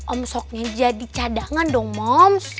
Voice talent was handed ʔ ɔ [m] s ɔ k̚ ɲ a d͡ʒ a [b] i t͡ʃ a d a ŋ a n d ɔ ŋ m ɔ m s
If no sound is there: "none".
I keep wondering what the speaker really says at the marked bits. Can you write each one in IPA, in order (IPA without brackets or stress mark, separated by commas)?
m, d